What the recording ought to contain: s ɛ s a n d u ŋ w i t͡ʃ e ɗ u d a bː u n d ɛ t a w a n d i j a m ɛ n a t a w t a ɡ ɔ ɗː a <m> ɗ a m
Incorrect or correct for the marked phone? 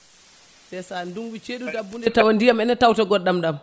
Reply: correct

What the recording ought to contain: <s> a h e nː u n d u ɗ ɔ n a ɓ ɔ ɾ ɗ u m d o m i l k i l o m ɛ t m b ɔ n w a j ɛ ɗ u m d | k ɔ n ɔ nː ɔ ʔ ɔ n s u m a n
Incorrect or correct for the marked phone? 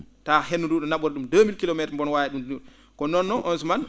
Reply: incorrect: t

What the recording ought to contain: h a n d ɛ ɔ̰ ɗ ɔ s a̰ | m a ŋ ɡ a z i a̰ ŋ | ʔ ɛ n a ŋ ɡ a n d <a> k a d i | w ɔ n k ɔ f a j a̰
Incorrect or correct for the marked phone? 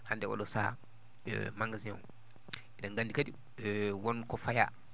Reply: incorrect: i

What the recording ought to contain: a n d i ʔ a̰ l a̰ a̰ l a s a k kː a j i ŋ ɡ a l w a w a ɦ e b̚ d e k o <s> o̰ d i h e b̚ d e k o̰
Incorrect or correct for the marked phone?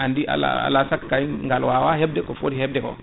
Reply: incorrect: f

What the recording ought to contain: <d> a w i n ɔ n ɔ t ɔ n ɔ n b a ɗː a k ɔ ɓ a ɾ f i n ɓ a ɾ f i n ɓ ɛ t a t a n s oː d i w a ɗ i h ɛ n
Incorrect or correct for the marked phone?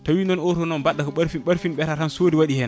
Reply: incorrect: t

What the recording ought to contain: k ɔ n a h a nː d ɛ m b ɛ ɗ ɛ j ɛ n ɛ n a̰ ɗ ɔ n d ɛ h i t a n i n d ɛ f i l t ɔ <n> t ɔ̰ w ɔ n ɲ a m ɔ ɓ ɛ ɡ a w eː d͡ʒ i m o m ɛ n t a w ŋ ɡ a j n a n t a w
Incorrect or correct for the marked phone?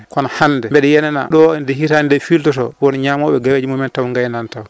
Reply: incorrect: none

